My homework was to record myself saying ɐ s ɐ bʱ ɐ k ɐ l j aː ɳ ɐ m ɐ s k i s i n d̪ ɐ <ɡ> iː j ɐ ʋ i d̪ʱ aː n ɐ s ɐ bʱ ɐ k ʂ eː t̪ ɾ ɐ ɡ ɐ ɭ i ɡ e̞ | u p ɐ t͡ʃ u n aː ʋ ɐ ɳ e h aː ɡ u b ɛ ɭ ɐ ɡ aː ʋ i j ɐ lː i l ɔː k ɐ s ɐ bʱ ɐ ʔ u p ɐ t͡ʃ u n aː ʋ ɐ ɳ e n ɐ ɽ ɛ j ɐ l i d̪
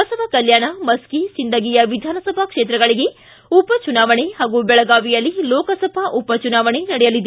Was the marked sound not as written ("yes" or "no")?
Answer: no